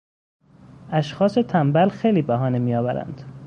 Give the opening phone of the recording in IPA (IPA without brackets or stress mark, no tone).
æ